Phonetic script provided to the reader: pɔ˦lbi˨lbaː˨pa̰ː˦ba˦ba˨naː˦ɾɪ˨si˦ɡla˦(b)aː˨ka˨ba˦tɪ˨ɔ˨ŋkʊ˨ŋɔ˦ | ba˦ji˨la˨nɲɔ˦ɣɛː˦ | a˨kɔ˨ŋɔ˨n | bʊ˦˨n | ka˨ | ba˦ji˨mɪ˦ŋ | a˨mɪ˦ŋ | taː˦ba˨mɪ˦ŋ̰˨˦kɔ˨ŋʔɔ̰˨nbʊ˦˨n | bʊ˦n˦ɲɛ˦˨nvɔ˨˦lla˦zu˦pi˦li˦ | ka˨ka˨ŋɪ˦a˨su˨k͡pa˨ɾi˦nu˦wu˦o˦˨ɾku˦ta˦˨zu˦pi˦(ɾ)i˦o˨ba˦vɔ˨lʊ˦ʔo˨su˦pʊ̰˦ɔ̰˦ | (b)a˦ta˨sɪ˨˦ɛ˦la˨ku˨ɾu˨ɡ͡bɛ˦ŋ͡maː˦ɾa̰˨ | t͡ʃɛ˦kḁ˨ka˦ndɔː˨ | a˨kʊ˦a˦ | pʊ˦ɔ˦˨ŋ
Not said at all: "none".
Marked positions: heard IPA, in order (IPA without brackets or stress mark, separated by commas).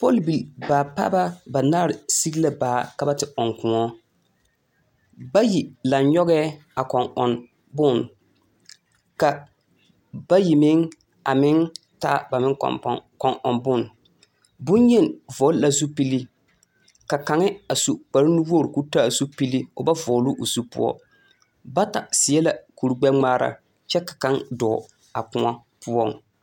b, l, b